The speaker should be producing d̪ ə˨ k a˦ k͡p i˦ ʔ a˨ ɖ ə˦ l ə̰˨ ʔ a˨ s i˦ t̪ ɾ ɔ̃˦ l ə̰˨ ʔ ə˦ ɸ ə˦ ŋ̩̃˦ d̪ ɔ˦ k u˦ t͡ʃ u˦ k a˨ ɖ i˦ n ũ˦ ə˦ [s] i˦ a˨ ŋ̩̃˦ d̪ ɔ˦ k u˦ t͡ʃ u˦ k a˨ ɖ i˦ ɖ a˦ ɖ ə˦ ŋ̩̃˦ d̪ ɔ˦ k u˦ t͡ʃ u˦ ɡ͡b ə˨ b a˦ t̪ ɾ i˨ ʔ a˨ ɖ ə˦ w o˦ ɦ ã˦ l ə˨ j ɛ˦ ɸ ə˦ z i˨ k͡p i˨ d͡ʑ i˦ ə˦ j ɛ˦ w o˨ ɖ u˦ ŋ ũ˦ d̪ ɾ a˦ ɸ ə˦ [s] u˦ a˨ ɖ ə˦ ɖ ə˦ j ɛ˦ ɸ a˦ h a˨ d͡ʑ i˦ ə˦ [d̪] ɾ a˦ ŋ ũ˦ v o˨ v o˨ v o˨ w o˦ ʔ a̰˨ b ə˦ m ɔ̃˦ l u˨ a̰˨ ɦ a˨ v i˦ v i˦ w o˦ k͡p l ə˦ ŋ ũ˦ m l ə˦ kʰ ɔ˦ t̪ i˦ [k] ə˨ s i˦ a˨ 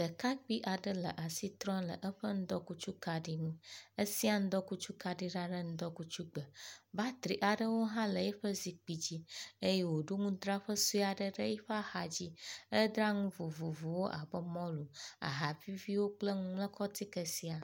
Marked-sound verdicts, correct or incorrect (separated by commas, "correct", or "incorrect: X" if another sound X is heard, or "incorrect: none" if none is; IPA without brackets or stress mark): correct, correct, correct, correct